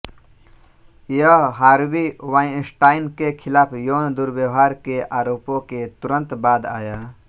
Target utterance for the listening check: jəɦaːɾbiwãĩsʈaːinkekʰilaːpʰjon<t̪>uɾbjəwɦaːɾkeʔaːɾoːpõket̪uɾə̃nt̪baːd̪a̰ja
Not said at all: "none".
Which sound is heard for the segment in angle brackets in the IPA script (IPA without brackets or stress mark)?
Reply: d̪